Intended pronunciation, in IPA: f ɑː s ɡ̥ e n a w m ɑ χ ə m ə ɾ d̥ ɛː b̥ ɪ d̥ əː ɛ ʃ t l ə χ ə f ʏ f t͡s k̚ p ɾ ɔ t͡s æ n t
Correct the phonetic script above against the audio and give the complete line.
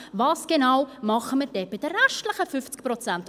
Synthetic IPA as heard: v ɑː s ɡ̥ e n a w m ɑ χ ə m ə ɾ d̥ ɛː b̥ ɪ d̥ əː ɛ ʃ t l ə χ ə f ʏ f t͡s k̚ p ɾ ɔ t͡s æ n t